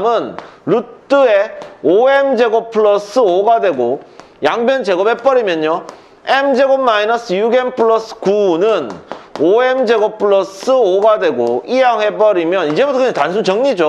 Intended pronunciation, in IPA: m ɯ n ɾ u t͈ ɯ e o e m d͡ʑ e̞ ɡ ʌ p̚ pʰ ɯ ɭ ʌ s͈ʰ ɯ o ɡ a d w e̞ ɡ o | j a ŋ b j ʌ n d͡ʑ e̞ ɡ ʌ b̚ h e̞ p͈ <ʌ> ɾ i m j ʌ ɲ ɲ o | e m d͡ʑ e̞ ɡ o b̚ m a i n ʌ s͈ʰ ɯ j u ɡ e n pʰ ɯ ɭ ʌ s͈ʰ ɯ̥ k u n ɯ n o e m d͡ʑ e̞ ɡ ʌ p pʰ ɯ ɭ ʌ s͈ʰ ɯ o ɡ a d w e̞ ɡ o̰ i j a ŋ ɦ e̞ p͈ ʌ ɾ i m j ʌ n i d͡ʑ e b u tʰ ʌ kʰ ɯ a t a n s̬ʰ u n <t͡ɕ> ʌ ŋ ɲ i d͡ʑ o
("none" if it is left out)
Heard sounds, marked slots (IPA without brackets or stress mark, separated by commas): ʌ, t͡ɕ